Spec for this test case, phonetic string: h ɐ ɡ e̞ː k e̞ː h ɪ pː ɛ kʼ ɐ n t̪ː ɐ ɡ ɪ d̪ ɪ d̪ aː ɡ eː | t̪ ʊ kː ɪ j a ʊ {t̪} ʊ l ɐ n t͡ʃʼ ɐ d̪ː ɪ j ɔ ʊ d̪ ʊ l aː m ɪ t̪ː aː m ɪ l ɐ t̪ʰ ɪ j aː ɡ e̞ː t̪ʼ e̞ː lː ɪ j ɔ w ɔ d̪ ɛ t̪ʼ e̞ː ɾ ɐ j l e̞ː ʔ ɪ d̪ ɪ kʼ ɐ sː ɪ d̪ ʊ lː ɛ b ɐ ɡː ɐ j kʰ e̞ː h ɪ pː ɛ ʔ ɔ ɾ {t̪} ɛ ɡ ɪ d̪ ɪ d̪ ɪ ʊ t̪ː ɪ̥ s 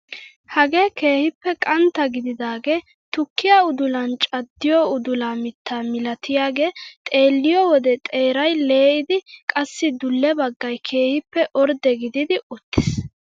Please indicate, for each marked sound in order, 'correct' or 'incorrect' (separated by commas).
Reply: incorrect, incorrect